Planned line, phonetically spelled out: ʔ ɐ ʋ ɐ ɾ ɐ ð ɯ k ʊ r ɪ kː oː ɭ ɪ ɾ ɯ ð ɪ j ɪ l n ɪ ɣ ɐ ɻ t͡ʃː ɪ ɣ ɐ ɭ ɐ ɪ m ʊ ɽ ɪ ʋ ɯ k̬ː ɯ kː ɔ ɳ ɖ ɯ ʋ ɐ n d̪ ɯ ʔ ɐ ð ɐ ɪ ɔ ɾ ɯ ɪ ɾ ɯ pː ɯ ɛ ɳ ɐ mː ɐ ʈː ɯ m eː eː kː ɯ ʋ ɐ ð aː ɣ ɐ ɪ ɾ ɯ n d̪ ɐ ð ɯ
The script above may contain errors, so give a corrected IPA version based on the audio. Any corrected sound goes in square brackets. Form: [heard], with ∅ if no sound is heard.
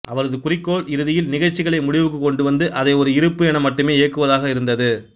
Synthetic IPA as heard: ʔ ɐ ʋ ɐ ɾ ɐ ð ɯ k ʊ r ɪ kː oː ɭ ɪ ɾ ɯ ð ɪ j ɪ l n ɪ ɣ ɐ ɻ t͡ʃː ɪ ɣ ɐ ɭ ɐ ɪ m ʊ ɽ ɪ ʋ ɯ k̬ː ɯ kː ɔ ɳ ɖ ɯ ʋ ɐ n d̪ ɯ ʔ ɐ ð ɐ ɪ ɔ ɾ ɯ ɪ ɾ ɯ pː ɯ ɛ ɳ ɐ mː ɐ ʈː ɯ m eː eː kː ɯ ʋ ɐ ð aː ɣ ɐ ɪ ɾ ɯ n d̪ ɐ ð ɯ